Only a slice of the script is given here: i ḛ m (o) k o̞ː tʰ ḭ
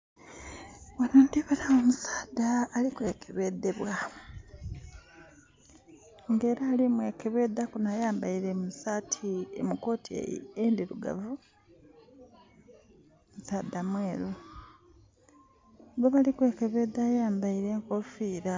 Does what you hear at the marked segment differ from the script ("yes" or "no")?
yes